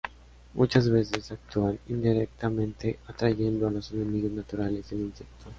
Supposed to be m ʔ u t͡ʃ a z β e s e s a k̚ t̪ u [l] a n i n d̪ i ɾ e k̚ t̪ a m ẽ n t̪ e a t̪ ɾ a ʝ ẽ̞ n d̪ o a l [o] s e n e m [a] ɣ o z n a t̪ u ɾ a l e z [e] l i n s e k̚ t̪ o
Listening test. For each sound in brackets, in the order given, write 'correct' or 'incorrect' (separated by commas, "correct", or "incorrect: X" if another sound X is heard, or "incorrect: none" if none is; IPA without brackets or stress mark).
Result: incorrect: none, correct, incorrect: i, correct